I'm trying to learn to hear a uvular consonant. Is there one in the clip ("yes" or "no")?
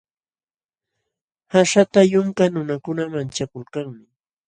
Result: no